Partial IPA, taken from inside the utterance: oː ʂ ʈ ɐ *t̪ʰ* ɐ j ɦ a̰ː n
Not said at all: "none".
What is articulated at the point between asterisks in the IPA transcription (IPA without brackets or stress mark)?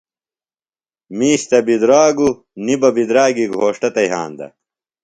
t̪